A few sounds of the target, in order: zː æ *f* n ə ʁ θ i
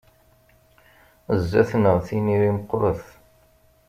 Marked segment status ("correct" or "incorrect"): incorrect